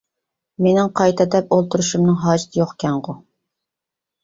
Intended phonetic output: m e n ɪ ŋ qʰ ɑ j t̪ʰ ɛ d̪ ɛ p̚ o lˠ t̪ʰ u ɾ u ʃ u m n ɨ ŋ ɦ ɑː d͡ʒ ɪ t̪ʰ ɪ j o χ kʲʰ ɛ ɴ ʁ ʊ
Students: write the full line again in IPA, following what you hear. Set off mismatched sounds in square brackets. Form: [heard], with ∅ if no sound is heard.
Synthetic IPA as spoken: m e n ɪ ŋ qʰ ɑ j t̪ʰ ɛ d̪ ɛ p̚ o lˠ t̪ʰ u ɾ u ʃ u m n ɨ ŋ ɦ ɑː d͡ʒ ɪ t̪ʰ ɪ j o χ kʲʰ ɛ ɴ ʁ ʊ